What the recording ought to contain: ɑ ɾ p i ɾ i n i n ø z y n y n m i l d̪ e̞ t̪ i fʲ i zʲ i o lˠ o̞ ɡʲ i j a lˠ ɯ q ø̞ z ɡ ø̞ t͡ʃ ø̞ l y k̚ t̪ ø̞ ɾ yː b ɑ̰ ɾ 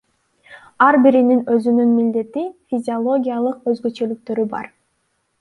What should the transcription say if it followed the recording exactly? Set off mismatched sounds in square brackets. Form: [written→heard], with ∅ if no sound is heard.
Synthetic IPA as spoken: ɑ ɾ [p→b] i ɾ i n i n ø z y n y n m i l d̪ e̞ t̪ i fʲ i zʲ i o lˠ o̞ ɡʲ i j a lˠ ɯ q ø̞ z ɡ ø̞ t͡ʃ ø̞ l y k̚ t̪ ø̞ ɾ [yː→y] b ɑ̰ ɾ